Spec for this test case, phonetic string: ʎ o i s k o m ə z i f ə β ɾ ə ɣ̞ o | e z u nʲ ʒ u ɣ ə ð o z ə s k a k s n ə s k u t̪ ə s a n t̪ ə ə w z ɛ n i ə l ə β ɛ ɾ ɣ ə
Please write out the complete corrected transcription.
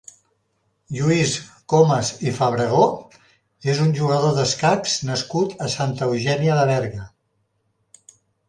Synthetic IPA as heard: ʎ u i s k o m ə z i f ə β ɾ ə ɣ̞ o | e z u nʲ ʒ u ɣ ə ð o ð ə s k a k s n ə s k u t̪ ə s a n t̪ ə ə w ʒ ɛ n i ə l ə β ɛ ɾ ɣ ə